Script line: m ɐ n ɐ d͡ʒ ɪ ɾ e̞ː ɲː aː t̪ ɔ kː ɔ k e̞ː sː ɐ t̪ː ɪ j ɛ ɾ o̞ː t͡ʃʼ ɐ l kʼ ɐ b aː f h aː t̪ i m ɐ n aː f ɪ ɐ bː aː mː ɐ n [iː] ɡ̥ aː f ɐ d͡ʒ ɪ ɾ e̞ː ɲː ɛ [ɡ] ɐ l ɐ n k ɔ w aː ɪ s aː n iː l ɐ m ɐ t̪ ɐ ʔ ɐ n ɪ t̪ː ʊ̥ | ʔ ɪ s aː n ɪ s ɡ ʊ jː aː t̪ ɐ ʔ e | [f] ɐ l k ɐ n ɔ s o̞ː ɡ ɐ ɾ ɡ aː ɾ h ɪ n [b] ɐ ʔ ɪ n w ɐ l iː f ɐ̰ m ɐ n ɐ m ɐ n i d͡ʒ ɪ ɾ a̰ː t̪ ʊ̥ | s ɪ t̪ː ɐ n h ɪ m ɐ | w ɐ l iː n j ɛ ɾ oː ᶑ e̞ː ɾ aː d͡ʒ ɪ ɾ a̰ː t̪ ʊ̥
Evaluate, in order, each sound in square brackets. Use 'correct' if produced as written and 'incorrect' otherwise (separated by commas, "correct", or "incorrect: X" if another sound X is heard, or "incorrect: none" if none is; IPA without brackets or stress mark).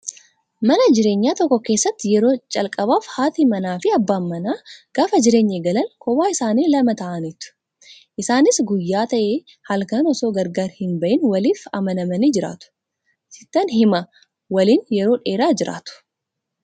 incorrect: aː, correct, incorrect: h, correct